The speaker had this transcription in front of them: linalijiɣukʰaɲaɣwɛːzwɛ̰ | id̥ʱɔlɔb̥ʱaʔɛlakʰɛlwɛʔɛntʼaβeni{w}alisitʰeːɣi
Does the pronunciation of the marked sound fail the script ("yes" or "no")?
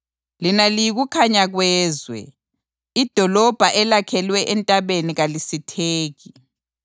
yes